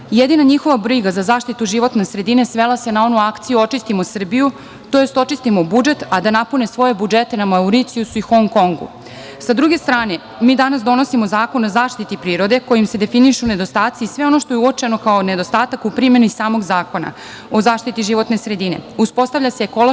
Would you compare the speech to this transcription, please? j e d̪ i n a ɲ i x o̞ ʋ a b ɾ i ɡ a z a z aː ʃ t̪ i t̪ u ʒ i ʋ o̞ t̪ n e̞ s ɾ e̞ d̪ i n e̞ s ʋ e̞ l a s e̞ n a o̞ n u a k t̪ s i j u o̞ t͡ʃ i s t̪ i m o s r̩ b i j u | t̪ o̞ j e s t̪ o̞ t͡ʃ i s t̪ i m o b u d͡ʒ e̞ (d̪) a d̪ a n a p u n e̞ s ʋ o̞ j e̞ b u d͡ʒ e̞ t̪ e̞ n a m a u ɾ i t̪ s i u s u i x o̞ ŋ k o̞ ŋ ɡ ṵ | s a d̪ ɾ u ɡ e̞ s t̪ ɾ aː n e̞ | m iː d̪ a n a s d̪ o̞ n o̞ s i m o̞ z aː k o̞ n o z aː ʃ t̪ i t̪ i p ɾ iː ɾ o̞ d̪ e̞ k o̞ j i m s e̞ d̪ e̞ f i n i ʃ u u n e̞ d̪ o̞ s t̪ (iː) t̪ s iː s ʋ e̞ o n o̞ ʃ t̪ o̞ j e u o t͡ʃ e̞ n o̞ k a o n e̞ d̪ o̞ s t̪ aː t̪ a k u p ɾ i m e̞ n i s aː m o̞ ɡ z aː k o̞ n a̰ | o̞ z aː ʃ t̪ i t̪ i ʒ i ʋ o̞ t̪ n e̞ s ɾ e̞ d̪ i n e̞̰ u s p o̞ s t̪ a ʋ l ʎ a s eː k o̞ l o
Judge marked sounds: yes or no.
no, no

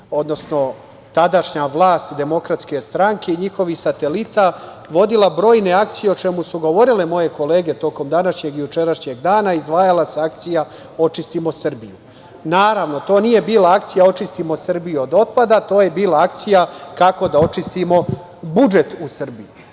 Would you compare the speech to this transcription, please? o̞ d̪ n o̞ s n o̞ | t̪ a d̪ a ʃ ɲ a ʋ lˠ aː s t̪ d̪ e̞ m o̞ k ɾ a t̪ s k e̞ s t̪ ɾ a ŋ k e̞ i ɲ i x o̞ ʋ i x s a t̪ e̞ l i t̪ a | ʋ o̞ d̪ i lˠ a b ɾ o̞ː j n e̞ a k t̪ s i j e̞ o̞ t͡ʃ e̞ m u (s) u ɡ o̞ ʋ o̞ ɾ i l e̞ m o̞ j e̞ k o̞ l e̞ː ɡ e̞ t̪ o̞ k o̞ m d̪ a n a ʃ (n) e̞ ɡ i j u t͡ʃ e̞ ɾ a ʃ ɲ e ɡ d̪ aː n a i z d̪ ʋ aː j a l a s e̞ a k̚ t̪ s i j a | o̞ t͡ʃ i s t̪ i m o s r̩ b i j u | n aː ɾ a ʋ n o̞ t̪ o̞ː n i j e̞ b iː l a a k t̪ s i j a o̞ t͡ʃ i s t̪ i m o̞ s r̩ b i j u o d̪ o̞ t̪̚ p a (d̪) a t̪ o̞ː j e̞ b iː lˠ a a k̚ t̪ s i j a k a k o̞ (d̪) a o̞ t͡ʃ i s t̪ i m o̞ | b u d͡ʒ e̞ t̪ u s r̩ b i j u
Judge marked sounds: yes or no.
yes, no, yes, yes

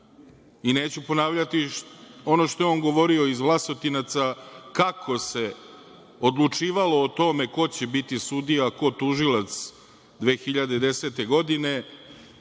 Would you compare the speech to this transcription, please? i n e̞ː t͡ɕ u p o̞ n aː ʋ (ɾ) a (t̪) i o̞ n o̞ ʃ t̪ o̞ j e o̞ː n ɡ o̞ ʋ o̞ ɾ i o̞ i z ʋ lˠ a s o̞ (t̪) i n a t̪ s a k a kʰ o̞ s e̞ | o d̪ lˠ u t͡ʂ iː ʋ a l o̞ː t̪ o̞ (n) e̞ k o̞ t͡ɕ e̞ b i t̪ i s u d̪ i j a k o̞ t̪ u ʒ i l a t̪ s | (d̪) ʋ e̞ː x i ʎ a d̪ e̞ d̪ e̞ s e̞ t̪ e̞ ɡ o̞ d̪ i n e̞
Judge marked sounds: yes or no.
no, yes, yes, no, yes

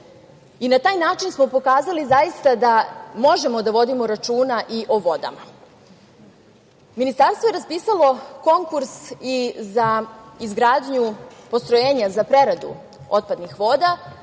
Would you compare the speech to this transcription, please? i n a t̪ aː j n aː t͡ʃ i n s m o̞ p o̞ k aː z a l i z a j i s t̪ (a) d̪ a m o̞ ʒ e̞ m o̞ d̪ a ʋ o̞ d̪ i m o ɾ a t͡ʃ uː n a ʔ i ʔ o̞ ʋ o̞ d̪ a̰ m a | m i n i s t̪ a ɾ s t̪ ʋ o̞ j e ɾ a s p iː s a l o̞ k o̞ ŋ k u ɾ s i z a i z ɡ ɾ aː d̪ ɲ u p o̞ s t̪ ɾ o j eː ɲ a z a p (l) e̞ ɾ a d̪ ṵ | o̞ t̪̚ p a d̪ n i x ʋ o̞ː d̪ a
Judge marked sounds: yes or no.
yes, no

